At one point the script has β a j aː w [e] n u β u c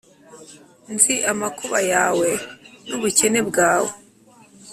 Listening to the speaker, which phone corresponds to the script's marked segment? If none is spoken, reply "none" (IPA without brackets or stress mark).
e